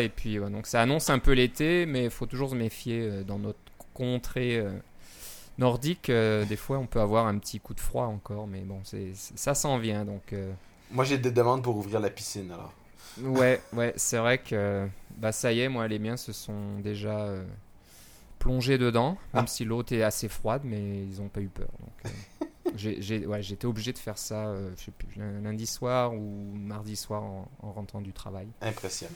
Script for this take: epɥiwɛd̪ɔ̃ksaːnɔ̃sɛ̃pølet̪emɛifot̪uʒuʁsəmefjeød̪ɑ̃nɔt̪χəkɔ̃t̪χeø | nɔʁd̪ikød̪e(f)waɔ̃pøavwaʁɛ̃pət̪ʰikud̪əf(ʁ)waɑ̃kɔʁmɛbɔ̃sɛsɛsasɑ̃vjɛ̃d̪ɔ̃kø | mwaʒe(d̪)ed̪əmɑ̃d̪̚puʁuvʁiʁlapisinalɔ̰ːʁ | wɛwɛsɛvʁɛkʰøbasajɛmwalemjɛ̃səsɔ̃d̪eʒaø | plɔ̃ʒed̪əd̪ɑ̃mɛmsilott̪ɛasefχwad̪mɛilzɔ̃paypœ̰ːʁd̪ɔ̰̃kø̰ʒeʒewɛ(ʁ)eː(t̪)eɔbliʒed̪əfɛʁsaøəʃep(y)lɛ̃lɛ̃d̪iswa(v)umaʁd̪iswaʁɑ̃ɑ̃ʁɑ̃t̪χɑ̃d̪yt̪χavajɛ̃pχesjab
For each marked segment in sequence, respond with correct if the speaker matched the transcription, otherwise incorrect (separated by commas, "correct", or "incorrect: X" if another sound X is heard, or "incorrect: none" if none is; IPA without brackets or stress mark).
correct, incorrect: χ, correct, incorrect: ʒ, correct, correct, incorrect: ʁ